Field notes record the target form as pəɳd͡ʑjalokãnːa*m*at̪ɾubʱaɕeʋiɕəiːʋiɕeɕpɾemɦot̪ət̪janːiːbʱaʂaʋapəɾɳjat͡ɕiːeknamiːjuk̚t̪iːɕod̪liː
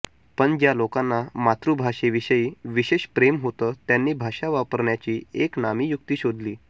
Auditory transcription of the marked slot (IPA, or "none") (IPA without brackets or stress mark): m